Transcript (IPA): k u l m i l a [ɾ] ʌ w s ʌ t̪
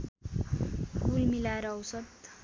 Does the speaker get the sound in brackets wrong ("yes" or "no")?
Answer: no